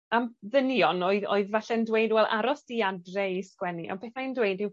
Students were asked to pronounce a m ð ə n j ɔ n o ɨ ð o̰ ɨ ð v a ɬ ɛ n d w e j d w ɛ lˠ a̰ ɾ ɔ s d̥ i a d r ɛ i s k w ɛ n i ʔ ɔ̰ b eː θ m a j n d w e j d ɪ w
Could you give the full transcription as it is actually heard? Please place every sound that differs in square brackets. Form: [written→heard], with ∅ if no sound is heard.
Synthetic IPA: a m ð ə n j ɔ n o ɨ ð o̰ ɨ ð v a ɬ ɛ n d w e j d w ɛ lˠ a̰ ɾ ɔ s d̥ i a d r ɛ i s k w ɛ n i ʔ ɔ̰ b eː θ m a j n d w e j d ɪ w